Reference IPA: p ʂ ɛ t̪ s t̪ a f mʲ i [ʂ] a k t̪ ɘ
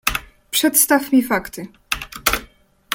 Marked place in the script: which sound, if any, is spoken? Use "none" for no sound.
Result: f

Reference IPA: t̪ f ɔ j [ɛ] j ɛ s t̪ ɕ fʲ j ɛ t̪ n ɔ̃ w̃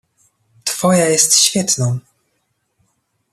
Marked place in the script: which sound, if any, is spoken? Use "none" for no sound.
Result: a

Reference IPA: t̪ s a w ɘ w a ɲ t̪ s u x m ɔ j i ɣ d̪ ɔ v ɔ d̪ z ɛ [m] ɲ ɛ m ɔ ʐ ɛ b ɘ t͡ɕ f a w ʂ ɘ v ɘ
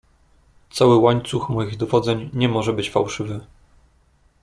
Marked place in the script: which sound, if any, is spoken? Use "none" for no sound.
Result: ɲ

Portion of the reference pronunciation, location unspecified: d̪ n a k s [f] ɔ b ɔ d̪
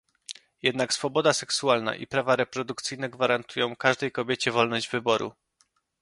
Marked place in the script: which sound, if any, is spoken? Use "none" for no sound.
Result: f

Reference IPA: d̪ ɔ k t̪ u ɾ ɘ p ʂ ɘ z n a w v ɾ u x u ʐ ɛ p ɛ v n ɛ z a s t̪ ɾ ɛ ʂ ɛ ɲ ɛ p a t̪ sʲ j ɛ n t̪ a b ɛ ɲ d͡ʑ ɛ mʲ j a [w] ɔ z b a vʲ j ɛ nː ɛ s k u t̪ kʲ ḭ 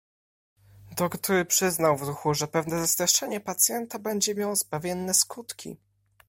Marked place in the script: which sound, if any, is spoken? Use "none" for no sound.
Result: w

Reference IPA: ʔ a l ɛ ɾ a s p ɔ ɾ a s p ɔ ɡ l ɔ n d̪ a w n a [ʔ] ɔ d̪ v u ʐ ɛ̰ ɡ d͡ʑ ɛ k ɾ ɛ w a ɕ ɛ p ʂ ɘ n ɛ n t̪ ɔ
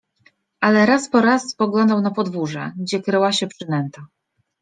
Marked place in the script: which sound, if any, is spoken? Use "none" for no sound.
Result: p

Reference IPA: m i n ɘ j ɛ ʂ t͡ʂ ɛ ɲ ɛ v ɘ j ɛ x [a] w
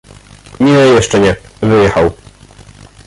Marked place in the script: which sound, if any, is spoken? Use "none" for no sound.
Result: a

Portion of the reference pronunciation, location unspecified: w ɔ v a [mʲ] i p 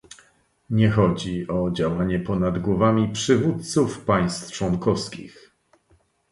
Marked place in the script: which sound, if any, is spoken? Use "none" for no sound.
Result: mʲ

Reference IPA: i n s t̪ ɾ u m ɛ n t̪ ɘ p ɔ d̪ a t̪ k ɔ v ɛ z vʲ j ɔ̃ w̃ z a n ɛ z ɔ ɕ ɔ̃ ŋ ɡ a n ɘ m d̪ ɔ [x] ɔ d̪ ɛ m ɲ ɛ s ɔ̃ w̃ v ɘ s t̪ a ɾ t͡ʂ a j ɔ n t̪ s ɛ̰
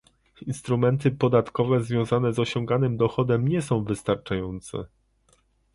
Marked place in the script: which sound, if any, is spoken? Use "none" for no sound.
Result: x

